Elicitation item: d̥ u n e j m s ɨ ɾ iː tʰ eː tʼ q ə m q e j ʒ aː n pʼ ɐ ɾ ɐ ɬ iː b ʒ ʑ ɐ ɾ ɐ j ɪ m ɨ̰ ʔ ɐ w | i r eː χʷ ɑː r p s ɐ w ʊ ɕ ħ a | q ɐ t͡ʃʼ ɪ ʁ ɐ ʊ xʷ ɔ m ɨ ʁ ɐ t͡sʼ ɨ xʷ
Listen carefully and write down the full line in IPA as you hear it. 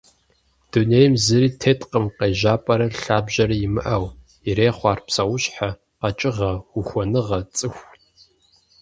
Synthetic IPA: d̥ u n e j m z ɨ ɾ iː tʰ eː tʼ q ə m q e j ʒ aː pʼ ɐ ɾ ɐ ɬ aː b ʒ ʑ ɐ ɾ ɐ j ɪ m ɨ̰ ʔ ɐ w | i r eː χʷ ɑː r p s ɐ w ʊ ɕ ħ a | q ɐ t͡ʃʼ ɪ ʁ ɐ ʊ xʷ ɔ n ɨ ʁ ɐ t͡sʼ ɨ xʷ